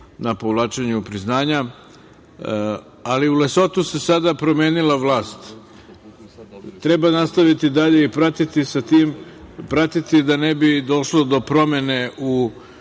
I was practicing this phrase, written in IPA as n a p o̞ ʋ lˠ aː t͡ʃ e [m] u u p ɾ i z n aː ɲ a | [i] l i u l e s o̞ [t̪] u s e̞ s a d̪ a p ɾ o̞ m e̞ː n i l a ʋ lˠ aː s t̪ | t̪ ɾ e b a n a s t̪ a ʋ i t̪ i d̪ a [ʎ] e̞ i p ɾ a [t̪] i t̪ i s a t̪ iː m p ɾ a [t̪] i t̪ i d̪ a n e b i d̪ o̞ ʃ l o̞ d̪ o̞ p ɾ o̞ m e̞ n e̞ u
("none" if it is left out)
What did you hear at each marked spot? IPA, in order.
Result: ɲ, a, t̪, ʎ, t̪, t̪

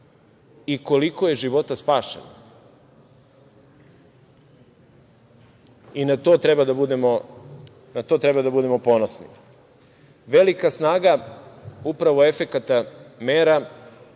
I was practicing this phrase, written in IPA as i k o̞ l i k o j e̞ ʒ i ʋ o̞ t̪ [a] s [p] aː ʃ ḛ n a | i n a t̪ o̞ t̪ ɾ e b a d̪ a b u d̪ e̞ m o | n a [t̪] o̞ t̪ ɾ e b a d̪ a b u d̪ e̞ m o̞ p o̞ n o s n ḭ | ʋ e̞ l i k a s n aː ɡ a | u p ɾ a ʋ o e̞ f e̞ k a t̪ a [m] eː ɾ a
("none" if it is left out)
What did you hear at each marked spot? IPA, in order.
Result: a, p, t̪, m

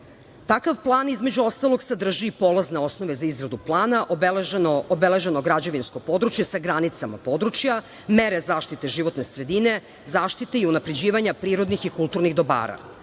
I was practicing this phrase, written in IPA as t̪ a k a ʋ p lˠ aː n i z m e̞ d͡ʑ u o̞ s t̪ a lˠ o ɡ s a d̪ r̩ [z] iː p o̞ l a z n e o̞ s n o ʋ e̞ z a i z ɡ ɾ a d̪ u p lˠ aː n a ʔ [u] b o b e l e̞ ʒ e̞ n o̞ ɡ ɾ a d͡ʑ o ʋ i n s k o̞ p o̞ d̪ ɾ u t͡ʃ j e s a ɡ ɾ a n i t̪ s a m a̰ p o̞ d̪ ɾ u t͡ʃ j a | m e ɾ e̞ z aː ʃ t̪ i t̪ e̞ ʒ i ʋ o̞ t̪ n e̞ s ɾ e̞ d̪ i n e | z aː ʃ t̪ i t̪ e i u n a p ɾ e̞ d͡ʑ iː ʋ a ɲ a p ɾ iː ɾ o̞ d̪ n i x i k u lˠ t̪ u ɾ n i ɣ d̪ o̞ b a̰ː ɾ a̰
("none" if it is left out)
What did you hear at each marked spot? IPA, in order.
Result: ʒ, o

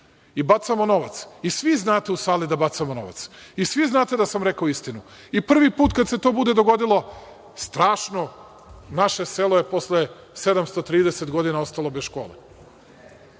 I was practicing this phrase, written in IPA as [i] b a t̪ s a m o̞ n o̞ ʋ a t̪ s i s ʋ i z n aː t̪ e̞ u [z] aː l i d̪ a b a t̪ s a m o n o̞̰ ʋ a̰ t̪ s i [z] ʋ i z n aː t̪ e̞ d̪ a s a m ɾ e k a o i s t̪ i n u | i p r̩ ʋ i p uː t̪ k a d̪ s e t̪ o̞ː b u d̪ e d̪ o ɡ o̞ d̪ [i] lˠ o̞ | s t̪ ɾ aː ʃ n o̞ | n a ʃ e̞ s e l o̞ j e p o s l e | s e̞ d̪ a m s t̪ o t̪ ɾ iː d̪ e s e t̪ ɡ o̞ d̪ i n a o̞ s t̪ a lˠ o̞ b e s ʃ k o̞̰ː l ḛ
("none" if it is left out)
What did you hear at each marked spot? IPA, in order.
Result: i, s, s, i

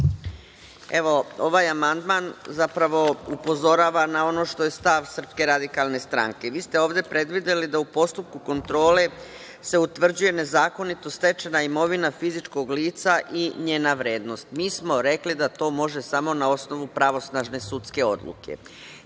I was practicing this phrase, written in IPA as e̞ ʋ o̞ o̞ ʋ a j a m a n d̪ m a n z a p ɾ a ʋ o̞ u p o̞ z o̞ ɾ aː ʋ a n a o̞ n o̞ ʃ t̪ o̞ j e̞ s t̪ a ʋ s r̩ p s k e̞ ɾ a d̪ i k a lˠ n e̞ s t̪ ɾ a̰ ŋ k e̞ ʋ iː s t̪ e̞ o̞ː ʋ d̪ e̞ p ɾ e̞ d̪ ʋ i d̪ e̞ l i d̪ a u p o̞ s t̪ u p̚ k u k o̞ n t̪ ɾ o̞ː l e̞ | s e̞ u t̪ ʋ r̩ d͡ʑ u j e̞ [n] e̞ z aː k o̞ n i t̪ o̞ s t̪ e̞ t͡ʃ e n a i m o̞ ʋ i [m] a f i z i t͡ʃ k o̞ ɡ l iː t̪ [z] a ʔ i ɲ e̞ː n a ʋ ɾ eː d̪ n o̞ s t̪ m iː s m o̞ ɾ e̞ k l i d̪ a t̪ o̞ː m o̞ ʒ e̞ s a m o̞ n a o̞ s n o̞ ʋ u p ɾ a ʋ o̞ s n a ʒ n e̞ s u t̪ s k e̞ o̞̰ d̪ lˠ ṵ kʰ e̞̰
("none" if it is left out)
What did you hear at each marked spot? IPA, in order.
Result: n, n, s

